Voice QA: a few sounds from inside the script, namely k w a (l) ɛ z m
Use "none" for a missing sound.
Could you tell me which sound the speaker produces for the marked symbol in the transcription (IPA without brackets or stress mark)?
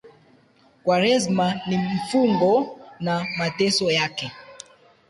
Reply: ɾ